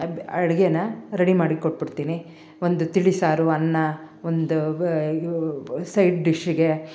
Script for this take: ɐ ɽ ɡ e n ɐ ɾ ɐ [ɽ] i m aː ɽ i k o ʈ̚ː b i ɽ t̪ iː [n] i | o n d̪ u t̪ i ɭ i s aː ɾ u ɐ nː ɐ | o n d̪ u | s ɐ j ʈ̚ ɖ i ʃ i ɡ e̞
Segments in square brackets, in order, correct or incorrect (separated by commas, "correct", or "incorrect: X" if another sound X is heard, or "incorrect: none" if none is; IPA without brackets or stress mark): correct, correct